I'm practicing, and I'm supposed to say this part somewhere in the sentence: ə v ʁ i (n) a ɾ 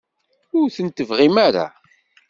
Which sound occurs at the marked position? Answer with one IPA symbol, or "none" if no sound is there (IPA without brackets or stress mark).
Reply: m